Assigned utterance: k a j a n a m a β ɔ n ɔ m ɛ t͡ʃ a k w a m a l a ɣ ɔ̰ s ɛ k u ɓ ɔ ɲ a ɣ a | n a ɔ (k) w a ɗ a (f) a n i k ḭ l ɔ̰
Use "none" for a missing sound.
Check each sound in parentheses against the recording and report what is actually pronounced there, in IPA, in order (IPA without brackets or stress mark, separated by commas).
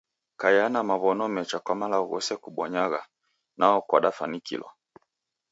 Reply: k, f